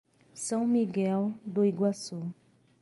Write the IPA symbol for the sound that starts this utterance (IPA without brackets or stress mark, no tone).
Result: s